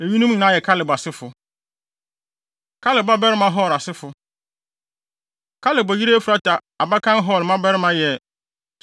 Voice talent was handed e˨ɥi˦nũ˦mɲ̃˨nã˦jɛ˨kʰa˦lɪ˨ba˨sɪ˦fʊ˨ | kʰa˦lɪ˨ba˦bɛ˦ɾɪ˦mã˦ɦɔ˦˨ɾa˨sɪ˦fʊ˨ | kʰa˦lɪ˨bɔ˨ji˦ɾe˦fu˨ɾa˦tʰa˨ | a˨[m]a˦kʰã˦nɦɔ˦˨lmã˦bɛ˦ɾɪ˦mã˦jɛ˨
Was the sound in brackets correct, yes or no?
no